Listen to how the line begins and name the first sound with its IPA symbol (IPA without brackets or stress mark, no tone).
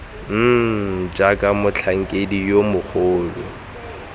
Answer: d͡ʒ